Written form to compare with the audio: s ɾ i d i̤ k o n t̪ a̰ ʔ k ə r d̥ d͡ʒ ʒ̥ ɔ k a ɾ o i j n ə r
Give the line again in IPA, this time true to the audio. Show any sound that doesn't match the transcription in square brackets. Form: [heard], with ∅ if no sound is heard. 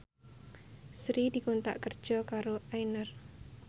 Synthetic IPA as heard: s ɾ i d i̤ k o n t̪ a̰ ʔ k ə r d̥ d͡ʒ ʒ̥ ɔ k a ɾ o [a] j n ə r